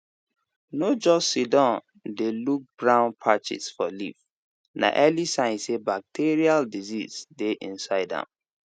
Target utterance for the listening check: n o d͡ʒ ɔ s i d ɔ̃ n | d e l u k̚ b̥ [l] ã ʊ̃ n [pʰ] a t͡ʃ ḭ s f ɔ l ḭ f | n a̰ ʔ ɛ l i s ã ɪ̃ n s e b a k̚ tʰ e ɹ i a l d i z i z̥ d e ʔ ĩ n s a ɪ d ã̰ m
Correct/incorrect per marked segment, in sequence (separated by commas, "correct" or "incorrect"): incorrect, correct